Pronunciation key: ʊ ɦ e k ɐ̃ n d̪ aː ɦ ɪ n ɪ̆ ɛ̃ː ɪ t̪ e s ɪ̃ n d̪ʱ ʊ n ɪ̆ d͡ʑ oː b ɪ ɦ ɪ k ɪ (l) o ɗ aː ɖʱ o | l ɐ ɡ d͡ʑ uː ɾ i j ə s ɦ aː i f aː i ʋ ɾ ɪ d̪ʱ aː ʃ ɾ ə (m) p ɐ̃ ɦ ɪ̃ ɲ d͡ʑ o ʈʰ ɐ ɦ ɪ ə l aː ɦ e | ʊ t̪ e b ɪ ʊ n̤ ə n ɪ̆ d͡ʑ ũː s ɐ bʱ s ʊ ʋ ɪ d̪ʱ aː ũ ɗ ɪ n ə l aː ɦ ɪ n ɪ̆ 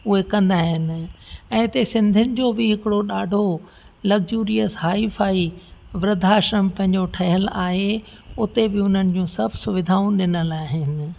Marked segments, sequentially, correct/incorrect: incorrect: ɽ, correct

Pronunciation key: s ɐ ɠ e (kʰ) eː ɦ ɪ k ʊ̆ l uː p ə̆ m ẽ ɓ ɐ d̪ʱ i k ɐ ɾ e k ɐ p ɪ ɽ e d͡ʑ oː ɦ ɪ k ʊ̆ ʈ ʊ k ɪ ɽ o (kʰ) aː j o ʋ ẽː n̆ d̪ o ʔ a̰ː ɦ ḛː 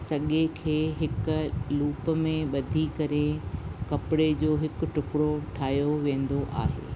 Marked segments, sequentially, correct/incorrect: correct, incorrect: ʈʰ

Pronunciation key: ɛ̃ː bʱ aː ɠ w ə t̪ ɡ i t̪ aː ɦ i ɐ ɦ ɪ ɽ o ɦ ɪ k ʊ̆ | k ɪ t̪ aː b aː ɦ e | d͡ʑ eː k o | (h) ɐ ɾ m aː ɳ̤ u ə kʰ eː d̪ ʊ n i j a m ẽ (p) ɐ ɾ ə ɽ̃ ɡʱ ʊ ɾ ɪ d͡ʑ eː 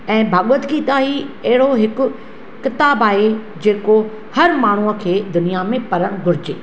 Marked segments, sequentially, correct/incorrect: correct, correct

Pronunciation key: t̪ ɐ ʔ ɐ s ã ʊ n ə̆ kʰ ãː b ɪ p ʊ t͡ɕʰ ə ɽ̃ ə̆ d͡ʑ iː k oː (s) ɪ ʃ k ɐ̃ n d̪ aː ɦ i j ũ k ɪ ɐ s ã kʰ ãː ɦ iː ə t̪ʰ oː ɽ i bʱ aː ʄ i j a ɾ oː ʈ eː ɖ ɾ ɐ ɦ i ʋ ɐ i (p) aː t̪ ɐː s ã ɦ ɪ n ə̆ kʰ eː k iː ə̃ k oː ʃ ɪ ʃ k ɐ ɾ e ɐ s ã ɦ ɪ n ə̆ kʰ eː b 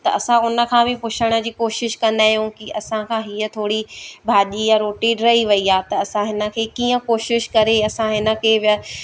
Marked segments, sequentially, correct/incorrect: incorrect: ʃ, incorrect: none

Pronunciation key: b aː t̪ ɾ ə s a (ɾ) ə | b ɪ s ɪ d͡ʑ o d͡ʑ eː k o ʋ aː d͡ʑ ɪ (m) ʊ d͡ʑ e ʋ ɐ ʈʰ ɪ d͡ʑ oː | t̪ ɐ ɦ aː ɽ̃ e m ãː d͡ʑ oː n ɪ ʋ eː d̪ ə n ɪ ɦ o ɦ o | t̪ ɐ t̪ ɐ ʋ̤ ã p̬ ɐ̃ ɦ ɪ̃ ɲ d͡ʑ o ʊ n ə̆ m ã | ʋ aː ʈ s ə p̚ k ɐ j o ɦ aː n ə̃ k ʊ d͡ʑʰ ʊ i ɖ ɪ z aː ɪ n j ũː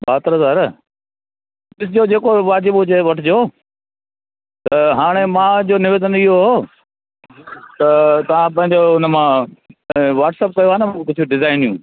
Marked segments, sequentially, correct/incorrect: correct, incorrect: b

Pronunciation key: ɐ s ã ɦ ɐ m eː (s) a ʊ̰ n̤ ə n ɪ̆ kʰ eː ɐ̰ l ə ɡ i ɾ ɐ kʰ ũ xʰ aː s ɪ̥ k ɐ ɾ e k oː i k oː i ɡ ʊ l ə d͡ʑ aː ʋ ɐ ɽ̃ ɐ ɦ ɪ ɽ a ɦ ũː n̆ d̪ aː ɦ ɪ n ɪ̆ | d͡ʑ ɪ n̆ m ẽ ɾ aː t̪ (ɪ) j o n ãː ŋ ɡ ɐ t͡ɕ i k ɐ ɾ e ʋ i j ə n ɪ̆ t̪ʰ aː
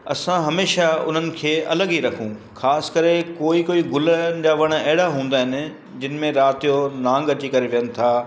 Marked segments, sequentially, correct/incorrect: incorrect: ʃ, incorrect: i

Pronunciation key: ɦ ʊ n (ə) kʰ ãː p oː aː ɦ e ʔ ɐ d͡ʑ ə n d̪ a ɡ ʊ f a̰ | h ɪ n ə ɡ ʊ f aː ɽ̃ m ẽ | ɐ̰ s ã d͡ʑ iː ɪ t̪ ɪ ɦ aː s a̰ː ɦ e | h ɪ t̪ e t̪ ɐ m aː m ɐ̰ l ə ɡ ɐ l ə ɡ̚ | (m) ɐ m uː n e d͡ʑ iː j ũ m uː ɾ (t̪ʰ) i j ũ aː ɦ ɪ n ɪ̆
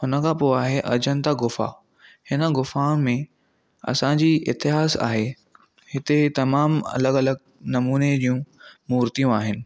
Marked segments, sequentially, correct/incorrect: correct, incorrect: n, incorrect: t̪

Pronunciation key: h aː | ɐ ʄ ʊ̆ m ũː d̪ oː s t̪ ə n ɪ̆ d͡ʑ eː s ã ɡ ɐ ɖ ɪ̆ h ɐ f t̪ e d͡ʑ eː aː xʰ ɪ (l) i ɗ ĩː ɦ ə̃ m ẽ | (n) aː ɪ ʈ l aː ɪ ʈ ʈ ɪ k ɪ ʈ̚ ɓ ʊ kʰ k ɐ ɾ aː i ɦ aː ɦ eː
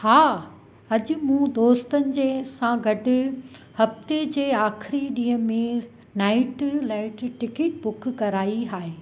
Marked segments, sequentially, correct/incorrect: incorrect: ɾ, correct

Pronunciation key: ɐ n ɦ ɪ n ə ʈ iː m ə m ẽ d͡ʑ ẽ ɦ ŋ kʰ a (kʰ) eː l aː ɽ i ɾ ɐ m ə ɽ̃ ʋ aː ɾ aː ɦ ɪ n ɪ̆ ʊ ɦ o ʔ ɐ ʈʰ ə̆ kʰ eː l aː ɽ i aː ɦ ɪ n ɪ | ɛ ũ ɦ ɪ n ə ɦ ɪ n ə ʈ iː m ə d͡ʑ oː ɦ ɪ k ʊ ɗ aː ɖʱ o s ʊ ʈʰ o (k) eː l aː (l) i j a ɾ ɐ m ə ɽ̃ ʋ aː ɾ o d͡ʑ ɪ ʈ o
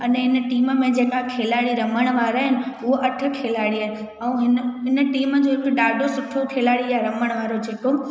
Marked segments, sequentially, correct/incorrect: correct, incorrect: kʰ, incorrect: ɽ

